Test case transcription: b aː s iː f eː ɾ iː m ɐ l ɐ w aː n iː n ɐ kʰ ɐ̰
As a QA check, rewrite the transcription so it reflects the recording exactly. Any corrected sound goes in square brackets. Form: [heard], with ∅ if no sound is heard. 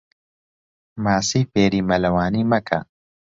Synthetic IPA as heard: [m] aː s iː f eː ɾ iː m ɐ l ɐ w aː n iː [m] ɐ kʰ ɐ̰